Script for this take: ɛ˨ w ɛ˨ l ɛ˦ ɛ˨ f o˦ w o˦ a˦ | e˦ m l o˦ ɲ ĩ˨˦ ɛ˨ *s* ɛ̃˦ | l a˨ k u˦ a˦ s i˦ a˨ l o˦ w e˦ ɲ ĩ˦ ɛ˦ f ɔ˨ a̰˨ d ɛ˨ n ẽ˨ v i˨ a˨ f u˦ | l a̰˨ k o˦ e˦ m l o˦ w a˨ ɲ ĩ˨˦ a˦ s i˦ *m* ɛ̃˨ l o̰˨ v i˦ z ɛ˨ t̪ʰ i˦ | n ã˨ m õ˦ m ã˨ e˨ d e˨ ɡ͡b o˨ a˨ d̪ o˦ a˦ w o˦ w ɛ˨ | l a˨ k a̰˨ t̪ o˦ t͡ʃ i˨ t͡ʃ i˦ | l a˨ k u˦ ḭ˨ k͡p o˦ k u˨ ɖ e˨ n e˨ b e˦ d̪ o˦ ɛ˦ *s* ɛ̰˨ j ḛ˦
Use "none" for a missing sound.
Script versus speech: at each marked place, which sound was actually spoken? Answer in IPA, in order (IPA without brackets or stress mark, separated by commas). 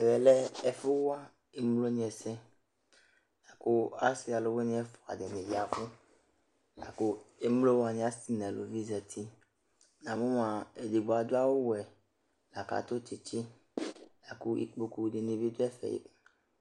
s, n, f